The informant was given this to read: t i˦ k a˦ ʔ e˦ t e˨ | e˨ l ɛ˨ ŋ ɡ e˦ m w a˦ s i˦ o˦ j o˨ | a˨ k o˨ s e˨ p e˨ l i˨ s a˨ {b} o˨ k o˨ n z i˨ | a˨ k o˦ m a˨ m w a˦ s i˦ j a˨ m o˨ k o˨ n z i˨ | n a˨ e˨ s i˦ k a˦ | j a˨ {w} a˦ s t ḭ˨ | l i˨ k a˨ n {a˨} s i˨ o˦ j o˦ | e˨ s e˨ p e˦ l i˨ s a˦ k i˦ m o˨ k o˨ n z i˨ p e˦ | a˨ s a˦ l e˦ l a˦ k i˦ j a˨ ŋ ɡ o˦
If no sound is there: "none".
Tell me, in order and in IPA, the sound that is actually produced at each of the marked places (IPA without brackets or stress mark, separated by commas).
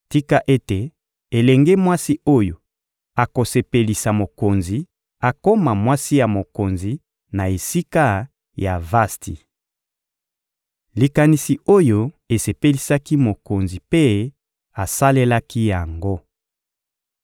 m, v, i˨